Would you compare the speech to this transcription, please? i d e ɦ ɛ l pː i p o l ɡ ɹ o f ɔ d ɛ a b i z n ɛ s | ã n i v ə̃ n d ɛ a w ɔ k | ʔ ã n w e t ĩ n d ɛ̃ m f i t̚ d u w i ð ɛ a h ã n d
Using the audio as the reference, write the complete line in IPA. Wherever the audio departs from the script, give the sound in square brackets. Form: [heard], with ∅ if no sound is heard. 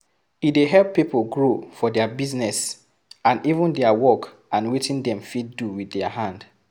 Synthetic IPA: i d e ɦ ɛ l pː i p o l ɡ ɹ o f ɔ d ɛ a b i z n ɛ s | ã n i v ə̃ n d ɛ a w ɔ k | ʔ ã n w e t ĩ n d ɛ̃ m f i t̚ d u w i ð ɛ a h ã n d